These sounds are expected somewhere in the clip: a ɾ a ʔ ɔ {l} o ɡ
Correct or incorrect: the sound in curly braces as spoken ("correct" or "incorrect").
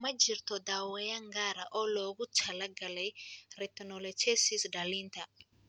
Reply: correct